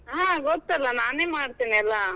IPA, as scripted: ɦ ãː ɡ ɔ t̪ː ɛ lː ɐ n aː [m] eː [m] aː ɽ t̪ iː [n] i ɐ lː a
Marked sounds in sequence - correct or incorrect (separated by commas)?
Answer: incorrect, correct, correct